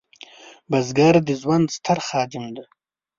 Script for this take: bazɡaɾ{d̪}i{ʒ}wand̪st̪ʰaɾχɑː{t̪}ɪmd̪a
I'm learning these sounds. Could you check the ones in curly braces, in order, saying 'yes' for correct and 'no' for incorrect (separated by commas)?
yes, no, no